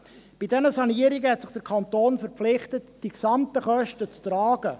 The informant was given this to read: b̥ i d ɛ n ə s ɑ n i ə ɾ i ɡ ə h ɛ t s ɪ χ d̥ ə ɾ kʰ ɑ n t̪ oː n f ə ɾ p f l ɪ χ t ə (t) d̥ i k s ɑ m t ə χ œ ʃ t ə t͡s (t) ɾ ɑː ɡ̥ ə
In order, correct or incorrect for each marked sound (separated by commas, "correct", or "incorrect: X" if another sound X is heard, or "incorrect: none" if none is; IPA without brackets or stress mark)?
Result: correct, correct